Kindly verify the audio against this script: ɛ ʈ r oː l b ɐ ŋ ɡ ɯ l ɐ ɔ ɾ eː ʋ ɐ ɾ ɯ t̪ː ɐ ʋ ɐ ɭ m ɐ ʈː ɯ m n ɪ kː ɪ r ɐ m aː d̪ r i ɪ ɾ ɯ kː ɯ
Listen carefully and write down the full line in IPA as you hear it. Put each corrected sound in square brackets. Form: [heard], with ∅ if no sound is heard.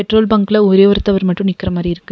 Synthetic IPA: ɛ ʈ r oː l b ɐ ŋ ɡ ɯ l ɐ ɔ ɾ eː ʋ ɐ ɾ ɯ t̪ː ɐ ʋ ɐ [ɾ] m ɐ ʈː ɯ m n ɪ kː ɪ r ɐ m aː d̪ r i ɪ ɾ ɯ kː ɯ

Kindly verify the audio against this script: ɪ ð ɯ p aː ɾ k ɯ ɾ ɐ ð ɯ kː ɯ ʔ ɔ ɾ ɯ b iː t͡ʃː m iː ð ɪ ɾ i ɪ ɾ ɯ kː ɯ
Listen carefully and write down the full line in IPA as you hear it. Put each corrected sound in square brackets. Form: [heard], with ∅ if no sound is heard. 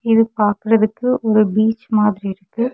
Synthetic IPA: ɪ ð ɯ p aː ɾ k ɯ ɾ ɐ ð ɯ kː ɯ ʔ ɔ ɾ ɯ b iː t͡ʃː m [aː] ð ɪ ɾ i ɪ ɾ ɯ kː ɯ

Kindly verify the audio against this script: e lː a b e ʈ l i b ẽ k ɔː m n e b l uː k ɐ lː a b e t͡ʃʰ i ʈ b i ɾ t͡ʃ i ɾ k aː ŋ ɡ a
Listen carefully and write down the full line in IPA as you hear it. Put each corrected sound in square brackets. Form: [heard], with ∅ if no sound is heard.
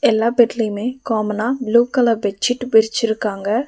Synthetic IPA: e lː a b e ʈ l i [m] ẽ k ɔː m n [a] b l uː k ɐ [l] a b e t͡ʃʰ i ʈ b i ɾ t͡ʃ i ɾ k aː ŋ ɡ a

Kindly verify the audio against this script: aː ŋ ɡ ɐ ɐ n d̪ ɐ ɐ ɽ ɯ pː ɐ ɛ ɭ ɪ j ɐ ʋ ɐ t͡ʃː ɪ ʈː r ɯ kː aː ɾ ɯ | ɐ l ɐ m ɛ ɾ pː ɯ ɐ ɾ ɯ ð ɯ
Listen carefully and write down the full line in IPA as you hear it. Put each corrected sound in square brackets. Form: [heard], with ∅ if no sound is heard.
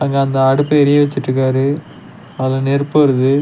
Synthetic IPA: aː ŋ ɡ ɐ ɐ n d̪ ɐ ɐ ɽ ɯ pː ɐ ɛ [ɾ] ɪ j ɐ ʋ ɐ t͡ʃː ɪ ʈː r ɯ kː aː ɾ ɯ | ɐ l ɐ [n] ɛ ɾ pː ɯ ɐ ɾ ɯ ð ɯ

